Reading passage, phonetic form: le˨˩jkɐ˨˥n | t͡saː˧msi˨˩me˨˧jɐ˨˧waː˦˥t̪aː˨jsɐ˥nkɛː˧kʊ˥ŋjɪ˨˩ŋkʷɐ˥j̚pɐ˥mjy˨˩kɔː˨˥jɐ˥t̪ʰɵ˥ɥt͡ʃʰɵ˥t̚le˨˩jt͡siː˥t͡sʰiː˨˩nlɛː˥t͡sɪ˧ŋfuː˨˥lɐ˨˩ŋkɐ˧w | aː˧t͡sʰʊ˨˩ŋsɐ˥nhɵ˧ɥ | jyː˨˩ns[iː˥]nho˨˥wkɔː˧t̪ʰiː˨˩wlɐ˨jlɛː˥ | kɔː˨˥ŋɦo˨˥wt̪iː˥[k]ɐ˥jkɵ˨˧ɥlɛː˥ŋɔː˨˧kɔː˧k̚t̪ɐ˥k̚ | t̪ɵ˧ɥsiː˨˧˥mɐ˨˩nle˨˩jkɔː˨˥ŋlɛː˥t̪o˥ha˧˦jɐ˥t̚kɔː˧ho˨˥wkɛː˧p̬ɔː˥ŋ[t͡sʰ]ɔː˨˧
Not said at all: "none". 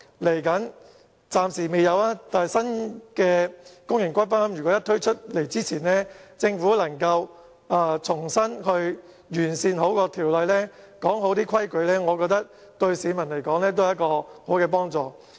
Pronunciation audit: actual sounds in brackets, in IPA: iː˧, kʰ, t͡s

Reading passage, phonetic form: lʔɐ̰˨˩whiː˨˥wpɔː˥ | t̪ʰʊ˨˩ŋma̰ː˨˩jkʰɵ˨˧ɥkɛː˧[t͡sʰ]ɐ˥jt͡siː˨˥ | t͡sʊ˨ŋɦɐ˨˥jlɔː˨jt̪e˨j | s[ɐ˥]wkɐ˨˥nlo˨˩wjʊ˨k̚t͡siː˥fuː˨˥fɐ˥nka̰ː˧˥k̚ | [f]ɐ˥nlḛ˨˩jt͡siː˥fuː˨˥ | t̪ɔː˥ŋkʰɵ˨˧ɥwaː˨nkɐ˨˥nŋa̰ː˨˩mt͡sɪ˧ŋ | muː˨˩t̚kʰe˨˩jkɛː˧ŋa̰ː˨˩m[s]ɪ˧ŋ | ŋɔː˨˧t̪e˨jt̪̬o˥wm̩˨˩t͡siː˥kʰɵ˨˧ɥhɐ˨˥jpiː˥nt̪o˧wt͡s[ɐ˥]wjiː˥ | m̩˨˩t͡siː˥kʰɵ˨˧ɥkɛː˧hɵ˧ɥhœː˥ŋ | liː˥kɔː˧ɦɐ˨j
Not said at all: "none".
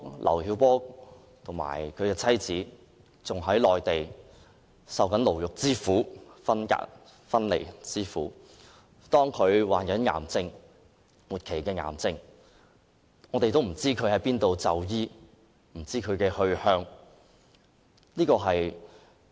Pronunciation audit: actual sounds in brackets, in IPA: t͡sʰ, ɐ˨, f, t͡s, ɐ˨

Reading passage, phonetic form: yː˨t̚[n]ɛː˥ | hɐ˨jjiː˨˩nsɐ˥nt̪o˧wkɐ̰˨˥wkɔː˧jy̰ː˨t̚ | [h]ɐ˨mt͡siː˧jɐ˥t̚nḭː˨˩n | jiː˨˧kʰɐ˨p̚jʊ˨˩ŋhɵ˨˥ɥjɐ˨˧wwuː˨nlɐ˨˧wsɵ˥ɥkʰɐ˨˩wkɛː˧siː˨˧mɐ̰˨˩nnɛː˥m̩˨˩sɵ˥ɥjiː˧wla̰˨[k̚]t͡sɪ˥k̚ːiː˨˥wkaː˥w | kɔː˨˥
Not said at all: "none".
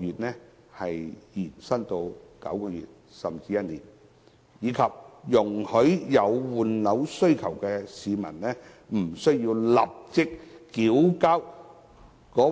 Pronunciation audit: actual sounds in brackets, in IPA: n, s, p̚

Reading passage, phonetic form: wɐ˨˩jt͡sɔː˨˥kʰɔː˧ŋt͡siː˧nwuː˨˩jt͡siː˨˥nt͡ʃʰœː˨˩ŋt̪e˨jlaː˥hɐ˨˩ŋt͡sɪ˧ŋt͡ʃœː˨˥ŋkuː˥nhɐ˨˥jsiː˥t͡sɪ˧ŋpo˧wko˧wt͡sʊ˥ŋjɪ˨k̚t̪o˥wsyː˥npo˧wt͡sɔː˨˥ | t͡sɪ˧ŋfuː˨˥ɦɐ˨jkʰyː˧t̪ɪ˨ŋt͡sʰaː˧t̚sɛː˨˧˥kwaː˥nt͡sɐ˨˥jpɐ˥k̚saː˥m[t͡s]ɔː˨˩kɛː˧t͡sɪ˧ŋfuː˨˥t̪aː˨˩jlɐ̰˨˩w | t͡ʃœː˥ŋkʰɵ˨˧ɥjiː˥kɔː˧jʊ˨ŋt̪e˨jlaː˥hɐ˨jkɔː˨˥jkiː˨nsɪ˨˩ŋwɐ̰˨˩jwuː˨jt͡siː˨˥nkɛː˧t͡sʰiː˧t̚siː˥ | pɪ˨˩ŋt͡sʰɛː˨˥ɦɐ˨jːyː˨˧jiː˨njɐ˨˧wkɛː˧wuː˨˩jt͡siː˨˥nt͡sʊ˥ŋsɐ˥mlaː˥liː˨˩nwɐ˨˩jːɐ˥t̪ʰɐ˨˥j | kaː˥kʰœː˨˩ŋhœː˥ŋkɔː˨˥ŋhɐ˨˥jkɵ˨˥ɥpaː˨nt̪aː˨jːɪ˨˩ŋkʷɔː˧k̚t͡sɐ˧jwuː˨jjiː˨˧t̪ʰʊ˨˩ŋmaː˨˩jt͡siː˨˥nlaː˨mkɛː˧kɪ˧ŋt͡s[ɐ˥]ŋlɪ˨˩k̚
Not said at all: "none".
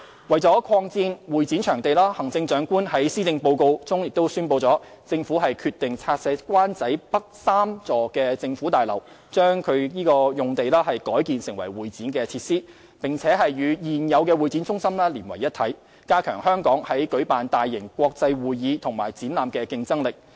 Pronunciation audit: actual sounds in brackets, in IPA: t͡s, ɐ˥

